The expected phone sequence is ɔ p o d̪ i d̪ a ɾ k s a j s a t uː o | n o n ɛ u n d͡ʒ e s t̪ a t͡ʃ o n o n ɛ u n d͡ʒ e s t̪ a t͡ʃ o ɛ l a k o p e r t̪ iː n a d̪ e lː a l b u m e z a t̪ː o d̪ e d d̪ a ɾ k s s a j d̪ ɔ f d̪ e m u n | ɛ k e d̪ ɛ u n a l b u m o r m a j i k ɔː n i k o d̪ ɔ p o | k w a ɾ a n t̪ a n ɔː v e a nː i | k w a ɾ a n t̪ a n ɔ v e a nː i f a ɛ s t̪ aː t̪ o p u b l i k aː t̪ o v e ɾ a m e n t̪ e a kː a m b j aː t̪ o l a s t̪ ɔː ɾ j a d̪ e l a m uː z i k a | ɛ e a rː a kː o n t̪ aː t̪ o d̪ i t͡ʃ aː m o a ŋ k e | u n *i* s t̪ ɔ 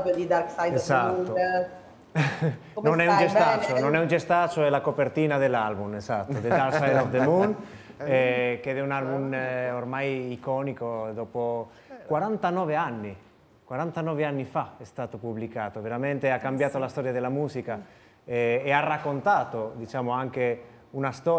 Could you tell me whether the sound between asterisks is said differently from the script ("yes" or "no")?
yes